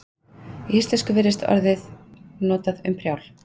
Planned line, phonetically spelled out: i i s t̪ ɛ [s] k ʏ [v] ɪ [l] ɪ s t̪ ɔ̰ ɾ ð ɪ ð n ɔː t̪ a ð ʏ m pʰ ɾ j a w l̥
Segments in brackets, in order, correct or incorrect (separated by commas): correct, correct, incorrect